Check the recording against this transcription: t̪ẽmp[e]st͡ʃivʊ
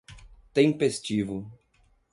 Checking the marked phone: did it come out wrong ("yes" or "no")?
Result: no